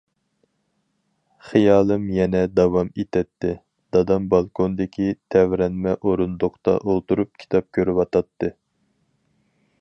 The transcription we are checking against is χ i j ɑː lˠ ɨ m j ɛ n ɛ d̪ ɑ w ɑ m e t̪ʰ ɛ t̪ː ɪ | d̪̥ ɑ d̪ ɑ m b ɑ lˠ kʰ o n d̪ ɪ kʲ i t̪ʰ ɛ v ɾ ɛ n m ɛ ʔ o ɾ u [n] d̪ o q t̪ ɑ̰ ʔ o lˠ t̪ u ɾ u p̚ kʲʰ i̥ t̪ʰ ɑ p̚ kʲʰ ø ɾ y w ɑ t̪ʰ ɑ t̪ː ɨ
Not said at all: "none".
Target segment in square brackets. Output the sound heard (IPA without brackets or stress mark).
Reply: n